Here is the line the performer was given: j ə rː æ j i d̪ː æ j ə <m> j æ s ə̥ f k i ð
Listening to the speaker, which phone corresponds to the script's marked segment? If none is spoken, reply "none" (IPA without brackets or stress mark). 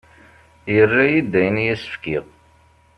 n